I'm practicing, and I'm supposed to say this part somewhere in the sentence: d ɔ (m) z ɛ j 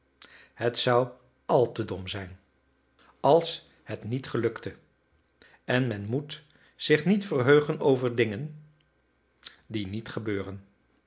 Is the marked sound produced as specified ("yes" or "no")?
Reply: yes